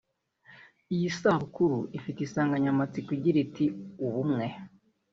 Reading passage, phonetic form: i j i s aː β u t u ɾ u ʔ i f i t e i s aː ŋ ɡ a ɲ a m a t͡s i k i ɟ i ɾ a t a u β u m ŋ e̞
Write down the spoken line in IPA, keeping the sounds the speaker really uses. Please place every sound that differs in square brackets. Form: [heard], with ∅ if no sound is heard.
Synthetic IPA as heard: i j i s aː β u [k] u ɾ u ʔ i f i t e i s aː ŋ ɡ a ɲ a m a t͡s i k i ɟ i ɾ [i] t [i] u β u m ŋ e̞